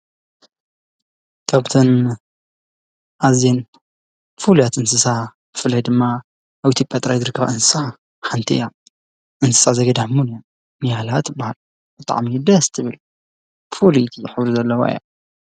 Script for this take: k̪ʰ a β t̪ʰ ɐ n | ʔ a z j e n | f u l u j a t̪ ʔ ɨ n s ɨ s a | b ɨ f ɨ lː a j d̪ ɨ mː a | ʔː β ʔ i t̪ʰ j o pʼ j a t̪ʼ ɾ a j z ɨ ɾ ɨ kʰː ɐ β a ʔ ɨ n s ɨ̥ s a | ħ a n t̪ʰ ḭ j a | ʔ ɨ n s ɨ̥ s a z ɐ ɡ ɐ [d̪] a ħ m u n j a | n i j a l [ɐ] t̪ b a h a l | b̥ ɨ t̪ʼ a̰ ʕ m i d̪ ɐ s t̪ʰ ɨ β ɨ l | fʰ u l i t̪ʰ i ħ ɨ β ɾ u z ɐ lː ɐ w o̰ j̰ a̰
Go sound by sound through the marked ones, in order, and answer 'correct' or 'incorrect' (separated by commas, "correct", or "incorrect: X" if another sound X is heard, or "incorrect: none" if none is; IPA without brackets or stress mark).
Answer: correct, incorrect: a